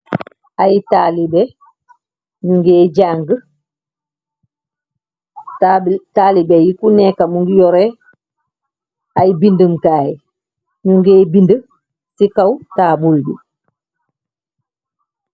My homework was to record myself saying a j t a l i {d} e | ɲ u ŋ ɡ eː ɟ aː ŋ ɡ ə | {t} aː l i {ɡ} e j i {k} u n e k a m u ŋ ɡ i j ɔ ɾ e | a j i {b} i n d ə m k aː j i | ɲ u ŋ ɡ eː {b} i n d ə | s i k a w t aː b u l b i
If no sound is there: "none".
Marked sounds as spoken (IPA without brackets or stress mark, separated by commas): b, t, b, k, b, b